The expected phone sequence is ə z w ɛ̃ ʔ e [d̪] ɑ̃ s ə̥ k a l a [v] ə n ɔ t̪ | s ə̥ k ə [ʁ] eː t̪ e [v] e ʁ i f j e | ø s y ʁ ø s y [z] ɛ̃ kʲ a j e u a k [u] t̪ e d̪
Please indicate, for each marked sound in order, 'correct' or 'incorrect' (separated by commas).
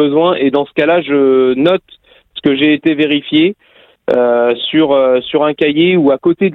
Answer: correct, incorrect, incorrect, correct, incorrect, incorrect